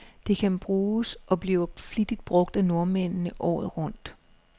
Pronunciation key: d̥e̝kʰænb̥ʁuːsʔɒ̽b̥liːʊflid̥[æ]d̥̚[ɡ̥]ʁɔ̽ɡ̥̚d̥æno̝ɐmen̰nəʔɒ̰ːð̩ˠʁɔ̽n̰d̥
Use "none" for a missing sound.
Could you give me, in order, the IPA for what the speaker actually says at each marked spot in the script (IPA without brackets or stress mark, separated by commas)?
i, b̥